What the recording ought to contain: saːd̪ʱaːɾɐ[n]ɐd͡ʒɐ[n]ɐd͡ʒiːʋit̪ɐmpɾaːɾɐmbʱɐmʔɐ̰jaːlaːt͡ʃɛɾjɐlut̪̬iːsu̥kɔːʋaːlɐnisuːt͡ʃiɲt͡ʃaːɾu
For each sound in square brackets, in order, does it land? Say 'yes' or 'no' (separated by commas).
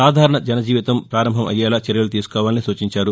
no, yes